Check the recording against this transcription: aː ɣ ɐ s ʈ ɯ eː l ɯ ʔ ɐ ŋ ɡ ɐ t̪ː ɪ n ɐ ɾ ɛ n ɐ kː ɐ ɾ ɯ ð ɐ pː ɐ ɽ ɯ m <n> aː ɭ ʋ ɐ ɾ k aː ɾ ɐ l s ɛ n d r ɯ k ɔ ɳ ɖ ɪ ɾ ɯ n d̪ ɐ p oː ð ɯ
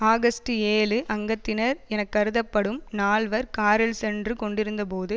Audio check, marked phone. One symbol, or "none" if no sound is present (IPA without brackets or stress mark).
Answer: n